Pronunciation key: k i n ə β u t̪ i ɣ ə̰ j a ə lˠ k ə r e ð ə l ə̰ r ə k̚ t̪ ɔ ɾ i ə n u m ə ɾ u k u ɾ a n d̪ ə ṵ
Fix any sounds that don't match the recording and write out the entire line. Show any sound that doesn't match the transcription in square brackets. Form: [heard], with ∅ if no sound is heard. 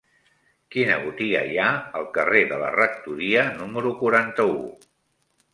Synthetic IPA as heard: k i n ə β u t̪ i ɣ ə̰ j a ə lˠ k ə r e ð ə l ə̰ r ə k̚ t̪ [u] ɾ i ə n u m ə ɾ u k u ɾ a n [t̪] ə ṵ